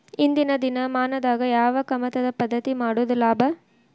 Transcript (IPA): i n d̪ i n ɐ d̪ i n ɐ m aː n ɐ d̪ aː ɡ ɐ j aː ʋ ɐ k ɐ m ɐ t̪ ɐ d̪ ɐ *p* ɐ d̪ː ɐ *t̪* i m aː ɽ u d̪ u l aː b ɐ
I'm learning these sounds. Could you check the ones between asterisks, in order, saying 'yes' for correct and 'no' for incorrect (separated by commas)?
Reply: yes, yes